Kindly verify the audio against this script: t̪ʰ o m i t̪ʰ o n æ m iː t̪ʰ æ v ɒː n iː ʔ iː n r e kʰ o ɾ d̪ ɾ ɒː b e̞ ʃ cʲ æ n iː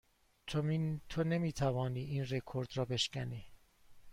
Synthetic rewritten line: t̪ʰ o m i t̪ʰ o n e m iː t̪ʰ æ v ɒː n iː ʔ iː n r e kʰ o ɾ d̪ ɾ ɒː b e̞ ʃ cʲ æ n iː